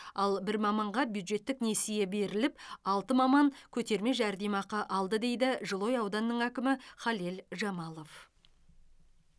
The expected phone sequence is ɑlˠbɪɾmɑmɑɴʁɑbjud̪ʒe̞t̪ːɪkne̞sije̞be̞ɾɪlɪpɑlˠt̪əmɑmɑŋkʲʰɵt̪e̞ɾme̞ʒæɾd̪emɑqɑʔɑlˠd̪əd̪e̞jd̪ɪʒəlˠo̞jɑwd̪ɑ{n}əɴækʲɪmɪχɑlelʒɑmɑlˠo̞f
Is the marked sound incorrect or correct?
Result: incorrect